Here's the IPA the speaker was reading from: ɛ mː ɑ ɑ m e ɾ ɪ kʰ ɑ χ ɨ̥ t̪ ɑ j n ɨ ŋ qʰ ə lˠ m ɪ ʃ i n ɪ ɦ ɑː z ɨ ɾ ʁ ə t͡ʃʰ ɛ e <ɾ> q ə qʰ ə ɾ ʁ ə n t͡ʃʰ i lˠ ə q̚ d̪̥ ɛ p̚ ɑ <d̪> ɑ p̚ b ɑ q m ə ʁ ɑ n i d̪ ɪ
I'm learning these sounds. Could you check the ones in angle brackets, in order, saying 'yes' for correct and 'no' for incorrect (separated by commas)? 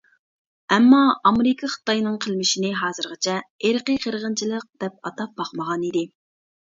yes, no